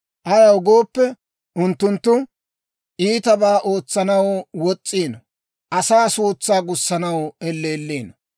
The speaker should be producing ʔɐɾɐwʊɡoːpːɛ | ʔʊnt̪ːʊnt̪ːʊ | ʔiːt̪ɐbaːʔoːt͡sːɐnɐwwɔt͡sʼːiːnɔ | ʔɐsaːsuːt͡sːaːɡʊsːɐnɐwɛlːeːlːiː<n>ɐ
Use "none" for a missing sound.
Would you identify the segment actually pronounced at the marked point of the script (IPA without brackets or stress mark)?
n